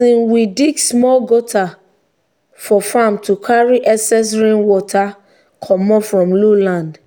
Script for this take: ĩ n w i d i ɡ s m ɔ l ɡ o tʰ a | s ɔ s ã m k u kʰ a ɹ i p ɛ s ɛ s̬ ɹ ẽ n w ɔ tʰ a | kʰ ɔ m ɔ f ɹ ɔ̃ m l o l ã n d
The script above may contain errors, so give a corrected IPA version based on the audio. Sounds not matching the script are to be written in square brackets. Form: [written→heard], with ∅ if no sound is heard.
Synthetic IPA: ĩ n w i d i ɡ s m ɔ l ɡ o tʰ a | [s→f] ɔ [s→f] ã m [k→t] u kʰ a ɹ i [p→ʔ] ɛ s ɛ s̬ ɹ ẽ n w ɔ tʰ a | kʰ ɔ m ɔ f ɹ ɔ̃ m l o l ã n d